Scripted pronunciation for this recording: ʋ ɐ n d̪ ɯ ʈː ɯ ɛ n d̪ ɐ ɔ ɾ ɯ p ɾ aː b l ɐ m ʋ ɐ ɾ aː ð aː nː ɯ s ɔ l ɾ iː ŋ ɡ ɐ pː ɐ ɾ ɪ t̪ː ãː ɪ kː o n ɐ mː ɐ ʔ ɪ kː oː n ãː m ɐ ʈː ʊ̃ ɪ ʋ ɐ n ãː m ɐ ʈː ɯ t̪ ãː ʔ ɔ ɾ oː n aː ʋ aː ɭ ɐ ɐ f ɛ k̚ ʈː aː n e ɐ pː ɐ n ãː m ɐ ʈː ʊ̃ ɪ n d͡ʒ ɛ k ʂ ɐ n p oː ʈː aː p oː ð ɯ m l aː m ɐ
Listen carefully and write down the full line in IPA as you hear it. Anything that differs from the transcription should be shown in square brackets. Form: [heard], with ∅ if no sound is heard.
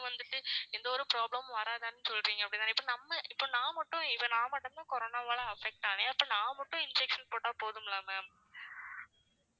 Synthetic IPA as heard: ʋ ɐ n d̪ ɯ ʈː ɯ ɛ n d̪ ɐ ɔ ɾ ɯ p ɾ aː b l ɐ m ʋ ɐ ɾ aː ð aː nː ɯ s ɔ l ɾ iː ŋ ɡ ɐ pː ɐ [ɽ] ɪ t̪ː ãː ɪ [pː] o n ɐ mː ɐ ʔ ɪ [pː] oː n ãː m ɐ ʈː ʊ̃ ɪ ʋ ɐ n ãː m ɐ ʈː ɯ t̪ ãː [k] ɔ ɾ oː n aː ʋ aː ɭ ɐ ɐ f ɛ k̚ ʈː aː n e ɐ pː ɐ n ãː m ɐ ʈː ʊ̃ ɪ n d͡ʒ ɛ k ʂ ɐ n p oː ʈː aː p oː ð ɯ m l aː m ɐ